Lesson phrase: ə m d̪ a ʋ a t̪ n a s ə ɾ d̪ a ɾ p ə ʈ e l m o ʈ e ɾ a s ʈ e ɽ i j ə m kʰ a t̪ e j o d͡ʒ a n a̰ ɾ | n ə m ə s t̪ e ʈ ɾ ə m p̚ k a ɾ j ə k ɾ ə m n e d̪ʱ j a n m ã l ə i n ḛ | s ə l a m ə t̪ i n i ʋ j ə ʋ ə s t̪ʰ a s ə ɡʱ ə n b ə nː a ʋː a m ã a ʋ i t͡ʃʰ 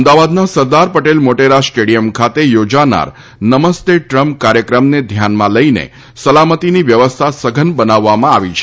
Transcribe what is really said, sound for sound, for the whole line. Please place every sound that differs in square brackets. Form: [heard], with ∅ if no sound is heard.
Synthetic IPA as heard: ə m d̪ a ʋ a [d̪] n a s ə ɾ d̪ a ɾ p ə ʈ e l m o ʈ e ɾ a s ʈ e ɽ i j ə m kʰ a t̪ e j o d͡ʒ a n a̰ ɾ | n ə m ə s t̪ e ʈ ɾ ə m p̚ k a ɾ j ə k ɾ ə m n e d̪ʱ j a n m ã l ə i n ḛ | s ə l a m ə t̪ i n i ʋ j ə ʋ ə s t̪ʰ a s ə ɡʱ ə n b ə [n] a ʋː a m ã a ʋ i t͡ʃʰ